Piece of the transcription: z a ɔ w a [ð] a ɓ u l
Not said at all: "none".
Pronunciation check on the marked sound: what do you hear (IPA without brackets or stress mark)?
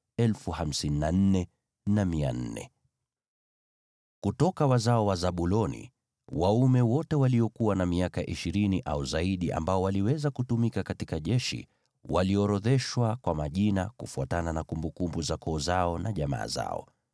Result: z